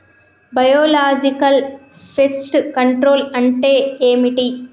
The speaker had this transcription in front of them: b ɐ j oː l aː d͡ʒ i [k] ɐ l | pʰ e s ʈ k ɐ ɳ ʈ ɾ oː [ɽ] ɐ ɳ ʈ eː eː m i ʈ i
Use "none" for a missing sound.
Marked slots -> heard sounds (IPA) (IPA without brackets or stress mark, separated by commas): k, l